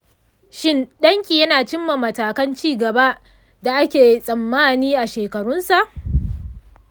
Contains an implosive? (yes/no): yes